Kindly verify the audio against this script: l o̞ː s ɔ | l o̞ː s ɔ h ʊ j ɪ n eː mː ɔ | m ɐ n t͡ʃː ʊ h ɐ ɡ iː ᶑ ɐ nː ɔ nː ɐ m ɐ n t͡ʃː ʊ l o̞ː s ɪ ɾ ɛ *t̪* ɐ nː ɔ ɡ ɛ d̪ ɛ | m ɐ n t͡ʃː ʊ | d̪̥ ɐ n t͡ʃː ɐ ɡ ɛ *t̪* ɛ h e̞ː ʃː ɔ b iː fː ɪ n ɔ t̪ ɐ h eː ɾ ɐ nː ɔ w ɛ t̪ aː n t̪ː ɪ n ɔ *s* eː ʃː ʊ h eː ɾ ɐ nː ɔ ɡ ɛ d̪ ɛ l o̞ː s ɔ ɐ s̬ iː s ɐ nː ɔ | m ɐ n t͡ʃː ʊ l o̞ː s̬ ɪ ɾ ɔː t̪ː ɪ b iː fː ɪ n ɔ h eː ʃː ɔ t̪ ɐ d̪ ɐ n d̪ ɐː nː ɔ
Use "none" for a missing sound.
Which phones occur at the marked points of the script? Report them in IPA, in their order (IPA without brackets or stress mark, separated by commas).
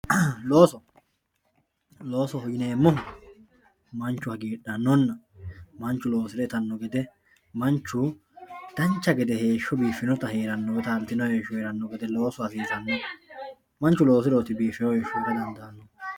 t̪, d̪, h